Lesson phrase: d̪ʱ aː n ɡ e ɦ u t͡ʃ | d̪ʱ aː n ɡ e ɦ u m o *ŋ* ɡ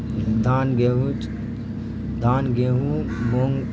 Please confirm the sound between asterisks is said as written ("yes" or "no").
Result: yes